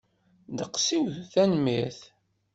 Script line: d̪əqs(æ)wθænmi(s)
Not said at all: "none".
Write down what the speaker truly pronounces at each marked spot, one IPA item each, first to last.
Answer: i, θ

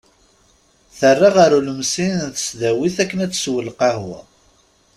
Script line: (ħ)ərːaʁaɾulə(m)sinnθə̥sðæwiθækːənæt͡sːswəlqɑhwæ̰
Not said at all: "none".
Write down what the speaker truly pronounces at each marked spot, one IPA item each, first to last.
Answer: θ, m

